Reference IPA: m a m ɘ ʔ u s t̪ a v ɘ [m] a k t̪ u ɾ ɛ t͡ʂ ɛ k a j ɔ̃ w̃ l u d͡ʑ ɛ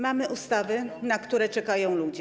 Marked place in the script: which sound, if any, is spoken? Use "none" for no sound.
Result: n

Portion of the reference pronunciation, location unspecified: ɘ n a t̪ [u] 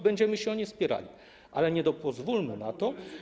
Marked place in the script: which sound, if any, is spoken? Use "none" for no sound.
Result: ɔ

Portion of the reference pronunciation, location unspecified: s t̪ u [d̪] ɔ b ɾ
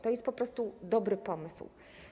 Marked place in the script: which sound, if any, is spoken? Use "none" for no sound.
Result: d̪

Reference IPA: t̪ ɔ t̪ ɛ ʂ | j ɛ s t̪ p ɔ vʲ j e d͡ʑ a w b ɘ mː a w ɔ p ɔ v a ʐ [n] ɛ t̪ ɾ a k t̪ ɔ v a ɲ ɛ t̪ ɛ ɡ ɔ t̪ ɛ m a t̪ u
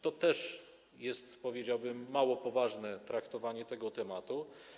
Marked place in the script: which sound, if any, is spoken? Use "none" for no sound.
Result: n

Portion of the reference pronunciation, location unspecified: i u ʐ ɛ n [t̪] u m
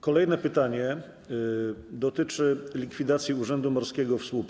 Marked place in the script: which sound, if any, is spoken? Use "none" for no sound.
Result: d̪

